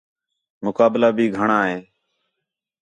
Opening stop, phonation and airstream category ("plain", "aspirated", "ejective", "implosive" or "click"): plain